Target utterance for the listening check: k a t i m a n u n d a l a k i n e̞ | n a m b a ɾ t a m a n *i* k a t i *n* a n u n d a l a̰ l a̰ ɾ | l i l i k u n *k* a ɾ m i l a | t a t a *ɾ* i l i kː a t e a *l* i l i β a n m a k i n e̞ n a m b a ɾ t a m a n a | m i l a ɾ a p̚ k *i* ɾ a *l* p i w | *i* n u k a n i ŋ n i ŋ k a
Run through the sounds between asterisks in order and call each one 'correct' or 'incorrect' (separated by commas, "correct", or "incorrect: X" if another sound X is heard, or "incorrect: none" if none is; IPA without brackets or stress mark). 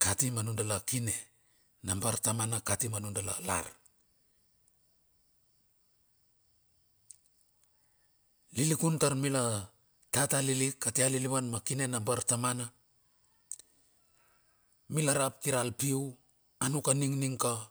incorrect: a, incorrect: m, incorrect: t, incorrect: l, correct, correct, correct, incorrect: a